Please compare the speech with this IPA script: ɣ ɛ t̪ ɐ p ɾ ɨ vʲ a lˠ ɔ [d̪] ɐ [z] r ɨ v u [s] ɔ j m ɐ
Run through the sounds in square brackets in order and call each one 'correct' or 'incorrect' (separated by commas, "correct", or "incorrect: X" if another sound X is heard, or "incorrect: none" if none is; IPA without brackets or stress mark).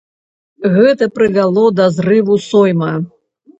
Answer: correct, correct, correct